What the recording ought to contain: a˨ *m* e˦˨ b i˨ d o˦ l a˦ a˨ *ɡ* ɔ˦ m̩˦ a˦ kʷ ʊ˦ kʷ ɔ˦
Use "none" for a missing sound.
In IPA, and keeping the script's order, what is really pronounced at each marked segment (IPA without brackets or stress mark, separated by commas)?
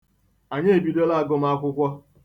ɲ, ɡ